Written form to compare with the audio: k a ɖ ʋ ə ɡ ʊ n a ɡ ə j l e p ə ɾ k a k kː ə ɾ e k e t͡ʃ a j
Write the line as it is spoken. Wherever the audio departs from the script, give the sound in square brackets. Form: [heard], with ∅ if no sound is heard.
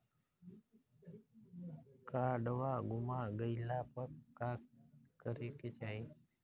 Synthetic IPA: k a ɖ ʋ [a] ɡ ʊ [m] a ɡ ə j l [a] p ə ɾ k a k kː ə ɾ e k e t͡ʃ a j